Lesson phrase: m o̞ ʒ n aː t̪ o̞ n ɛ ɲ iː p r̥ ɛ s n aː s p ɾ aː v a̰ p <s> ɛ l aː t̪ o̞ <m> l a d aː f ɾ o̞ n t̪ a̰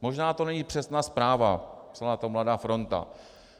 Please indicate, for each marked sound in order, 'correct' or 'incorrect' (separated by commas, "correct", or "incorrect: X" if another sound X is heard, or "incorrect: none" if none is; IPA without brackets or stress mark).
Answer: correct, correct